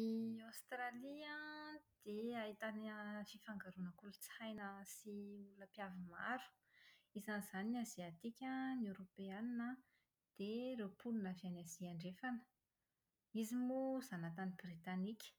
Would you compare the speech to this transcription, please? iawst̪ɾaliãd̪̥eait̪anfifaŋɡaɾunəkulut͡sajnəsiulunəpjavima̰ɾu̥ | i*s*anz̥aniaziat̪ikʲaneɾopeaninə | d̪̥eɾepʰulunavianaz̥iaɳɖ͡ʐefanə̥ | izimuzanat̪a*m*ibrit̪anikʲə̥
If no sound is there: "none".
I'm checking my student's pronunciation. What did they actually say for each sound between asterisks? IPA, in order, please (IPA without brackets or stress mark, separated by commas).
z, n